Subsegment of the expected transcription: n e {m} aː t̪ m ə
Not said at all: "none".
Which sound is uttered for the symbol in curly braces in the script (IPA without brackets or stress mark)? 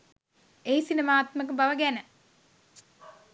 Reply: m